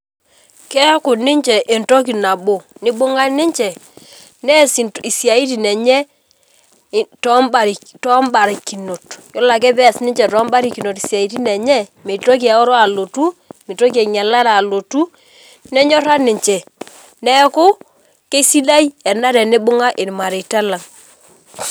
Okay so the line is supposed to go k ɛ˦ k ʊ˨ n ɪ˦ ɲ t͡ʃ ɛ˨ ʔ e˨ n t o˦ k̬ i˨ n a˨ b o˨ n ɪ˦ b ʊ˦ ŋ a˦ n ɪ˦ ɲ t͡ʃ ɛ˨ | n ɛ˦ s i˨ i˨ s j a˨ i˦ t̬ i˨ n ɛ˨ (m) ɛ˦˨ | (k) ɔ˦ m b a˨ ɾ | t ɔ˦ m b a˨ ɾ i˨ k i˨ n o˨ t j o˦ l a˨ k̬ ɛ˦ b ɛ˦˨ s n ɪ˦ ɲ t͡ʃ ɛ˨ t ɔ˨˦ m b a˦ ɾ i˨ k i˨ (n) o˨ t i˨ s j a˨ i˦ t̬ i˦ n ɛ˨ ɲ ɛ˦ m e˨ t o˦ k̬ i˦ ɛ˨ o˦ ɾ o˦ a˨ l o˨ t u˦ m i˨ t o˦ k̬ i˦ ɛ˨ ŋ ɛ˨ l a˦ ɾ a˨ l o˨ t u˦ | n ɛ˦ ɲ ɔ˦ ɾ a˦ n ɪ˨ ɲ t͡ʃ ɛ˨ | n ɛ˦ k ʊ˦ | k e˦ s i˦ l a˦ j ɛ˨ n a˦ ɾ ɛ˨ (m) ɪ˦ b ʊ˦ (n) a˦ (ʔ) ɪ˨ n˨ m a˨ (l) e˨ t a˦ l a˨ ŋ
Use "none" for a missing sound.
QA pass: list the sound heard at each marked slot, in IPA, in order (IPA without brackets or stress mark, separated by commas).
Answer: ɲ, t, n, n, ŋ, ʔ, ɾ